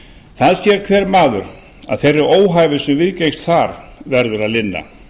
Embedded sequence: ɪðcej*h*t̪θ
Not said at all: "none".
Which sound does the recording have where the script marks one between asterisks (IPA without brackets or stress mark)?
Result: s